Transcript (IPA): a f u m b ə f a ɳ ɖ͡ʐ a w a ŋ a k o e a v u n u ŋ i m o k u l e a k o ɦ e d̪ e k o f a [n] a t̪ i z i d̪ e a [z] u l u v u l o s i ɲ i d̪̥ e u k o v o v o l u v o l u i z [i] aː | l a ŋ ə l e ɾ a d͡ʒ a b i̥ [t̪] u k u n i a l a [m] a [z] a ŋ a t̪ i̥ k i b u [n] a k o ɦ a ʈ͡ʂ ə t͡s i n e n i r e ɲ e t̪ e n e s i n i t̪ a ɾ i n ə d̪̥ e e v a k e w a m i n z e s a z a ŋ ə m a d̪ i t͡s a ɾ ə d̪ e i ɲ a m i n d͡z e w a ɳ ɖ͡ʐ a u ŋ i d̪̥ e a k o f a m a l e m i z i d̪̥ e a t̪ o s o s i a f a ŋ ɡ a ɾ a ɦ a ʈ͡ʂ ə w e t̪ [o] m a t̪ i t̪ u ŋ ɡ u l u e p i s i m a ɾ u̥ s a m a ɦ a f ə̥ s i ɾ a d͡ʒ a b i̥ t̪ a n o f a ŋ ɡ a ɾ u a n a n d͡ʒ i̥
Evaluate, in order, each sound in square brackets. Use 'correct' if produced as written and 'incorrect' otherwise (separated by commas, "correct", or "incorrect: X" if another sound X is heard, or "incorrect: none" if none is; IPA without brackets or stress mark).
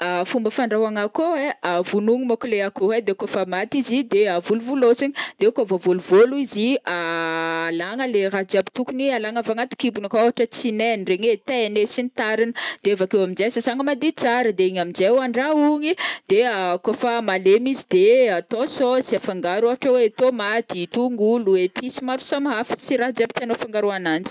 incorrect: m, incorrect: v, correct, correct, incorrect: ŋ, incorrect: v, correct, correct